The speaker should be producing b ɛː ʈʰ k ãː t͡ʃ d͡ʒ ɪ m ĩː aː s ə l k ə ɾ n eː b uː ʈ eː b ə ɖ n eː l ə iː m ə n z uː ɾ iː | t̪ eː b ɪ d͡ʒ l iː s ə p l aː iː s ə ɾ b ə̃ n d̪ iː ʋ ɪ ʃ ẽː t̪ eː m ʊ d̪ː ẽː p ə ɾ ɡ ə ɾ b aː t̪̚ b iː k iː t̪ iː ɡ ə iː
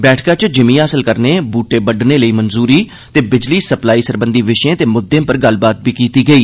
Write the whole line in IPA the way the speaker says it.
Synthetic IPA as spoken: b ɛː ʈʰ k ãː t͡ʃ d͡ʒ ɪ m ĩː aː s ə l k ə ɾ n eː b uː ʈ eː b ə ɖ n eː l ə iː m ə n z uː ɾ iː | t̪ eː b ɪ d͡ʒ l iː s ə p l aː iː s ə ɾ b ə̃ n d̪ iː ʋ ɪ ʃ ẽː t̪ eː m ʊ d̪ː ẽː p ə ɾ ɡ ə l b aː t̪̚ b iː k iː t̪ iː ɡ ə iː

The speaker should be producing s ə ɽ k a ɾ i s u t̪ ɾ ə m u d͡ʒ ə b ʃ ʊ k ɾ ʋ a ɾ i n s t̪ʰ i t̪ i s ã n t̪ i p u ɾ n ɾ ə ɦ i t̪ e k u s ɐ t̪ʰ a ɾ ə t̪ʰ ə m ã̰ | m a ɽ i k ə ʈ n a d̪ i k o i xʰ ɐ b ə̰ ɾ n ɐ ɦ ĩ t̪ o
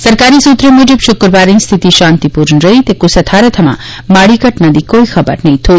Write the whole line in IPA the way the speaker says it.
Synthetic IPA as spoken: s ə ɾ k a ɾ i s u t̪ ɾ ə m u d͡ʒ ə b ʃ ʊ k ɾ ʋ a ɾ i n s t̪ʰ i t̪ i ʃ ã n t̪ i p u ɾ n ɾ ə ɦ i t̪ e k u s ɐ t̪ʰ a ɾ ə t̪ʰ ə m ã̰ | m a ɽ i k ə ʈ n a d̪ i k o i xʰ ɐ b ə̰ ɾ n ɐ ɦ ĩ t̪ʰ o

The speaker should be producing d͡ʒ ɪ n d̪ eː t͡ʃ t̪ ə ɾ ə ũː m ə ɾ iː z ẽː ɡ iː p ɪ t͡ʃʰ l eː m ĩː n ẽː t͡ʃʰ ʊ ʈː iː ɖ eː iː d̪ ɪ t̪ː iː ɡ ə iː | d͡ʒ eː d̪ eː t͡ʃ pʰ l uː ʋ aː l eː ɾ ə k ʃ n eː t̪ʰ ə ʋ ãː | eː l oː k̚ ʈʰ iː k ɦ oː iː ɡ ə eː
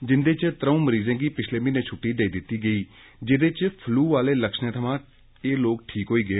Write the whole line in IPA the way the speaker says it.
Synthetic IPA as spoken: d͡ʒ ɪ n d̪ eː t͡ʃ t̪ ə ɾ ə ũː m ə ɾ iː z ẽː ɡ iː p ɪ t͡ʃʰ l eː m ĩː n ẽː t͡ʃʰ ʊ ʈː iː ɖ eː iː d̪ ɪ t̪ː iː ɡ ə iː | d͡ʒ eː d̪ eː t͡ʃ pʰ l uː ʋ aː l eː l ə k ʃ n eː t̪ʰ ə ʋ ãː | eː l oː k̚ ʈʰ iː k ɦ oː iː ɡ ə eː

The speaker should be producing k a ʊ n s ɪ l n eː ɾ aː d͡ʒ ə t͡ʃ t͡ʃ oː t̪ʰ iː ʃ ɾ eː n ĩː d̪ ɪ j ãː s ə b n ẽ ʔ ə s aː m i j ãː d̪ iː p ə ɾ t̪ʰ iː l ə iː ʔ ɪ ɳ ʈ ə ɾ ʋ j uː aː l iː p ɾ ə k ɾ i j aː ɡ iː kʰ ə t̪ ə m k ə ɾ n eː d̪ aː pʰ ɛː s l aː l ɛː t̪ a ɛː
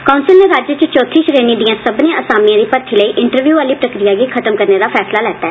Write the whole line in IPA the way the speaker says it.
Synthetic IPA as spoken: k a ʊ n s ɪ l n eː ɾ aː d͡ʒ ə t͡ʃ t͡ʃ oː t̪ʰ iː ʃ ɾ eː n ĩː d̪ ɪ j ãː s ə b n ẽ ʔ ə s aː m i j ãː d̪ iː p ə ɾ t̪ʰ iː l ə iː ʔ ɪ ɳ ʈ ə ɾ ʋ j uː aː l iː p ɾ ə k ɾ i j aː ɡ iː kʰ ə t̪ ə m k ə ɾ n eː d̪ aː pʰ ɛː s l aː l ɛː t̪ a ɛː

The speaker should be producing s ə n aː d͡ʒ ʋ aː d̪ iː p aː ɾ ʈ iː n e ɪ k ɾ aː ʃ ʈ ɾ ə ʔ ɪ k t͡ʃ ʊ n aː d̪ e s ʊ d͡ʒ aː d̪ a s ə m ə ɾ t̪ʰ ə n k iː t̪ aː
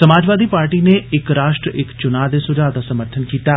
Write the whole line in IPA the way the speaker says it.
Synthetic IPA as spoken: s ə m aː d͡ʒ ʋ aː d̪ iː p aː ɾ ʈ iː n e ɪ k ɾ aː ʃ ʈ ɾ ə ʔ ɪ k t͡ʃ ʊ n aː d̪ e s ʊ d͡ʒ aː d̪ a s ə m ə ɾ t̪ʰ ə n k iː t̪ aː

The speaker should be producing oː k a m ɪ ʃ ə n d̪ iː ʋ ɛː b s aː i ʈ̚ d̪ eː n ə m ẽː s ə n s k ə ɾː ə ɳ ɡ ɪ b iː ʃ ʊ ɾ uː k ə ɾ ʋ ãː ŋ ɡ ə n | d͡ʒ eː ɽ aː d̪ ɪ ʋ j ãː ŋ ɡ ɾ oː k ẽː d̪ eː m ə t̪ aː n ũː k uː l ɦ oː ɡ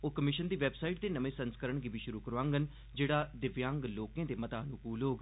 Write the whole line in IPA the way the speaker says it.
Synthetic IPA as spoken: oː k ə m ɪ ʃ ə n d̪ iː ʋ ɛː b s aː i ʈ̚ d̪ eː n ə m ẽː s ə n s k ə ɾ ə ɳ ɡ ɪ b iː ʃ ʊ ɾ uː k ə ɾ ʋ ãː ŋ ɡ ə n | d͡ʒ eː ɽ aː d̪ ɪ ʋ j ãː ŋ ɡ l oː k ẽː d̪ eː m ə t̪ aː n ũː k uː l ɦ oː ɡ

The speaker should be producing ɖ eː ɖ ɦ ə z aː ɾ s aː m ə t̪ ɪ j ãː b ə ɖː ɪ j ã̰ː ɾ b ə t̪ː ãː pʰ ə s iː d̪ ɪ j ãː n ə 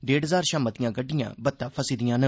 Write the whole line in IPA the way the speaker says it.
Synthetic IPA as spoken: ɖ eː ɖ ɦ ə z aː ɾ ʃ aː m ə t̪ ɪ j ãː ɡ ə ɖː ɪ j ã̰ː b ə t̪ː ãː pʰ ə s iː d̪ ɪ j ãː n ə

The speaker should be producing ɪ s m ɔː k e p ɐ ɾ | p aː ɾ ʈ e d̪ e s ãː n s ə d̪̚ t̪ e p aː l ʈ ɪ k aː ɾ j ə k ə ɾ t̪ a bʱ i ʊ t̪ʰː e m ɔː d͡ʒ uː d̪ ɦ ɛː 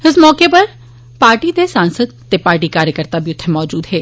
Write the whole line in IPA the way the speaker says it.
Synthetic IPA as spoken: ɪ s m ɔː k e p ɐ ɾ | p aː ɾ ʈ i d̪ e s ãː n s ə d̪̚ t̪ e p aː ɾ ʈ i k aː ɾ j ə k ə ɾ t̪ a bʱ i ʊ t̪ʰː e m ɔː d͡ʒ uː d̪ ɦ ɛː

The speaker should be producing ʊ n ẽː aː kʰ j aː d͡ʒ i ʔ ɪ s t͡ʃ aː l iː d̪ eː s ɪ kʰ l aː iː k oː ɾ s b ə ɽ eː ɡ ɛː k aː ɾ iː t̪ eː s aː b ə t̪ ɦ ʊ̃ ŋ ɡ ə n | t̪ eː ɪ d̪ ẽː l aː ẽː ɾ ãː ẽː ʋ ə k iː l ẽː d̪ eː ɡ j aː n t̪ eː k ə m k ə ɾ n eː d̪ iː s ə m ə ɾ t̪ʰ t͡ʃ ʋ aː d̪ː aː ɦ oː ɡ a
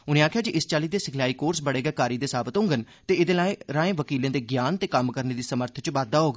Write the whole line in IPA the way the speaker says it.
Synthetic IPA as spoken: ʊ n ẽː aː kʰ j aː d͡ʒ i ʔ ɪ s t͡ʃ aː l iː d̪ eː s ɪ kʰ l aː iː k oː ɾ s b ə ɽ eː ɡ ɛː k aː ɾ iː d̪ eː s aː b ə t̪ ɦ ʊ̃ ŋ ɡ ə n | t̪ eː ɪ d̪ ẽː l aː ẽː ɾ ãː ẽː ʋ ə k iː l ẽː d̪ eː ɡ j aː n t̪ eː k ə m k ə ɾ n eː d̪ iː s ə m ə ɾ t̪ʰ t͡ʃ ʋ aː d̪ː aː ɦ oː ɡ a

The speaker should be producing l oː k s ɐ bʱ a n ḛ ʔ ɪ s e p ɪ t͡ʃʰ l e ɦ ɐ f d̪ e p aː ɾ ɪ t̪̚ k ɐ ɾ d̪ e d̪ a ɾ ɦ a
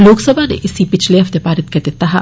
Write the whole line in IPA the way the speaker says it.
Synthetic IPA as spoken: l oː k s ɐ bʱ a n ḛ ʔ ɪ s i p ɪ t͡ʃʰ l e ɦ ɐ f t̪ e p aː ɾ ɪ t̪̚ k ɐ ɾ d̪ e t̪ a ɦ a

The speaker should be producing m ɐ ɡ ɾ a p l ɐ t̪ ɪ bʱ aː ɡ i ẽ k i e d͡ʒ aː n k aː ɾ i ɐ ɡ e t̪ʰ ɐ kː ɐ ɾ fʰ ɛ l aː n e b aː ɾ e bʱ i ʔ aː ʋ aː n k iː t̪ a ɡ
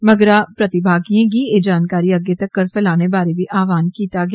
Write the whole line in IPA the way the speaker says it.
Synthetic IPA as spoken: m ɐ ɡ ɾ a p ɾ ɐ t̪ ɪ bʱ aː ɡ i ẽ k i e d͡ʒ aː n k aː ɾ i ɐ ɡ e t̪ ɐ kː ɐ ɾ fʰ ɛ l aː n e b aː ɾ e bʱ i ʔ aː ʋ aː n k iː t̪ a ɡ

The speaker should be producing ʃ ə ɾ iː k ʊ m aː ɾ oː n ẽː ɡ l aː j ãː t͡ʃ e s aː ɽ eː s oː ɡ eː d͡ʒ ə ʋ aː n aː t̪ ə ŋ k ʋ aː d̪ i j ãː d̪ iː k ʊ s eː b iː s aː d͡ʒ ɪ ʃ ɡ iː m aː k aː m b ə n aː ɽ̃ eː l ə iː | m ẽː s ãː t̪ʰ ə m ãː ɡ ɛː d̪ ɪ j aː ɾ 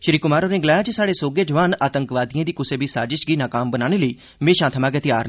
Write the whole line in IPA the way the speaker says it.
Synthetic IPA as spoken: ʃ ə ɾ iː k ʊ m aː ɾ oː n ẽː ɡ l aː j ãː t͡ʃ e s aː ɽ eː s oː ɡ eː d͡ʒ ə ʋ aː n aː t̪ ə ŋ k ʋ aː d̪ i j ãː d̪ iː k ʊ s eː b iː s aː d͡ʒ ɪ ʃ ɡ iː n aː k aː m b ə n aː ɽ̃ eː l ə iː | m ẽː ʃ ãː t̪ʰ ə m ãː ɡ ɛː t̪ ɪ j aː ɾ

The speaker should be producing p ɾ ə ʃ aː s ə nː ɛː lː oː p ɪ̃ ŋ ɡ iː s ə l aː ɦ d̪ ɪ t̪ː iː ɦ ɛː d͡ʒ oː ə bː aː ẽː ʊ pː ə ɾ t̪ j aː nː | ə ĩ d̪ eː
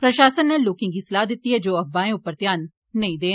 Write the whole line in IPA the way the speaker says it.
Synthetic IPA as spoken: p ɾ ə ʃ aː s ə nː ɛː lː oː k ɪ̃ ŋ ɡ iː s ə l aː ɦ d̪ ɪ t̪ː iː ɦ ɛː d͡ʒ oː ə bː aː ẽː ʊ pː ə ɾ t̪ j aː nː | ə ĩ d̪ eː

